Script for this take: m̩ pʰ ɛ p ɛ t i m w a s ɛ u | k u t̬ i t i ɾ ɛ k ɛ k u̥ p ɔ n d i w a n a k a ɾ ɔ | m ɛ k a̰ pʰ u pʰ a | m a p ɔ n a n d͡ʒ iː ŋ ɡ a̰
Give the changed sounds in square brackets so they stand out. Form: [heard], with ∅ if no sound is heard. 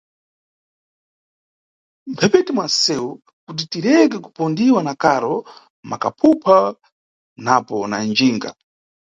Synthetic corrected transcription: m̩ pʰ ɛ p ɛ t i m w a s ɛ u | k u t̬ i t i ɾ ɛ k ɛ k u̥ p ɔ n d i w a n a k a ɾ ɔ | m [a] k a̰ pʰ u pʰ a | [n] a p ɔ n a n d͡ʒ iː ŋ ɡ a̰